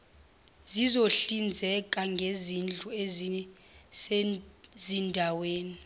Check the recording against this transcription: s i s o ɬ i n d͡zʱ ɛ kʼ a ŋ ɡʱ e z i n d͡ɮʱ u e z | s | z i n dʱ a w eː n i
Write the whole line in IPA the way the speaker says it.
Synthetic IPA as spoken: z i z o ɬ i n d͡zʱ ɛ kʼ a ŋ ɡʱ e z i n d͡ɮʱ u e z | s | z i n dʱ a w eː n i